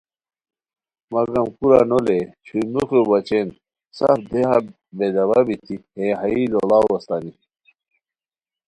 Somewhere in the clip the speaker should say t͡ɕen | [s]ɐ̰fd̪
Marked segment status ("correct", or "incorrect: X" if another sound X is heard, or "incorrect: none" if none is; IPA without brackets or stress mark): correct